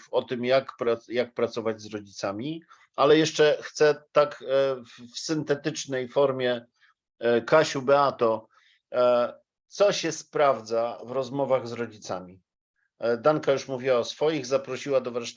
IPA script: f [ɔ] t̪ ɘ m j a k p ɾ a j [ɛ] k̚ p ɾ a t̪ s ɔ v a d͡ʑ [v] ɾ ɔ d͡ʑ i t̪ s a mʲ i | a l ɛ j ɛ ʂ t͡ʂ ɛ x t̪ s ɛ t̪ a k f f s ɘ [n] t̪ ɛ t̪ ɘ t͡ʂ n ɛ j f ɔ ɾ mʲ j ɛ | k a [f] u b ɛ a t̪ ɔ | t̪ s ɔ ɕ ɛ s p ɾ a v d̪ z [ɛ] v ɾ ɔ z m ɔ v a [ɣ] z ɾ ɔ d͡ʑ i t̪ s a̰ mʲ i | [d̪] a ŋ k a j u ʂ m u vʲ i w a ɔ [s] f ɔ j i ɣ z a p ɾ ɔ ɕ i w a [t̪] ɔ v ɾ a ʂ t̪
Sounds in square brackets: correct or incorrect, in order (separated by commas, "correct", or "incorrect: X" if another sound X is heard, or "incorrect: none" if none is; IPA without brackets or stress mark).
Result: correct, incorrect: a, incorrect: z, correct, incorrect: ɕ, incorrect: a, correct, correct, correct, incorrect: d̪